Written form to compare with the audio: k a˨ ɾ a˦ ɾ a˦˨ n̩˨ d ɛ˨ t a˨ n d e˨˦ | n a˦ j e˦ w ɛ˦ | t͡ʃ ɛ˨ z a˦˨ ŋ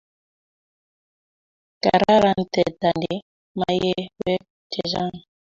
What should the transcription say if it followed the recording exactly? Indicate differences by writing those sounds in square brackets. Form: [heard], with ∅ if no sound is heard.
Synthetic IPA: k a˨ ɾ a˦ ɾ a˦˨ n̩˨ [t] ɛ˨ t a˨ n d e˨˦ | [m] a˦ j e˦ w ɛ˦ | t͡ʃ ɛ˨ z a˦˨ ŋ